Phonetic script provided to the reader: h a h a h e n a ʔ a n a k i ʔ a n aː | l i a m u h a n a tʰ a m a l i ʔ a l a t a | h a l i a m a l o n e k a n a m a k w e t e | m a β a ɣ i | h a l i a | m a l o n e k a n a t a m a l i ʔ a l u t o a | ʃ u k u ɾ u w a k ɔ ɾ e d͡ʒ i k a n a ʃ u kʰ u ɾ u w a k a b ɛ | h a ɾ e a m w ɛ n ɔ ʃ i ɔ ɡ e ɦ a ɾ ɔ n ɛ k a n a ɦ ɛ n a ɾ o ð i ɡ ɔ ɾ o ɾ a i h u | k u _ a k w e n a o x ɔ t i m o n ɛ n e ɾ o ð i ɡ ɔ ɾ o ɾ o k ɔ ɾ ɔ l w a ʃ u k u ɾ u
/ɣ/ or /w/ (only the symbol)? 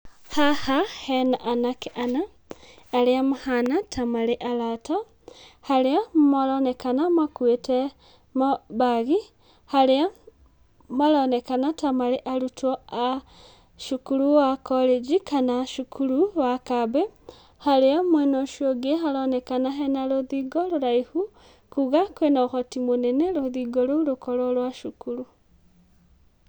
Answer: ɣ